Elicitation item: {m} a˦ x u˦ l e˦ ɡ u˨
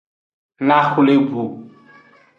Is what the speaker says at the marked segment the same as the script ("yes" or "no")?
no